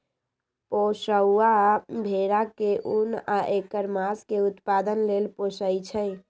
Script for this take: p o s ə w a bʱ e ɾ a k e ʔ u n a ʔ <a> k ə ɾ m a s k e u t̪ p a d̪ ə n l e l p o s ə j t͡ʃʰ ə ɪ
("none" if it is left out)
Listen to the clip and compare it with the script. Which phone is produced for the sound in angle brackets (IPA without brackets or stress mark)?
e